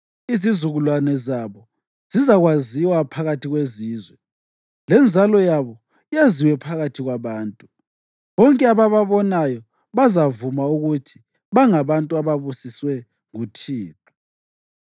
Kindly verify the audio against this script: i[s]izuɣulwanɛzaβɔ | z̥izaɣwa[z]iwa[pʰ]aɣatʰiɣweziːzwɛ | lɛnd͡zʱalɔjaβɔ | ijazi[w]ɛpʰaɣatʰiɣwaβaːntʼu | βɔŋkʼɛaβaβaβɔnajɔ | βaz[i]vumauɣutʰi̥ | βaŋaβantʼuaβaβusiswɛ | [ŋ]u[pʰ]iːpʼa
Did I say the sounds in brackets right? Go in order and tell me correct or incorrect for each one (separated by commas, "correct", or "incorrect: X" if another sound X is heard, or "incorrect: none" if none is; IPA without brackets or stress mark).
incorrect: z, correct, correct, correct, incorrect: a, correct, incorrect: tʰ